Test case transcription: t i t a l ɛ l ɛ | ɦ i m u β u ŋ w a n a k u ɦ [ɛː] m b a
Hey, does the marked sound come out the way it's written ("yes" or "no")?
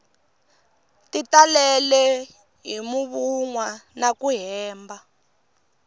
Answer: yes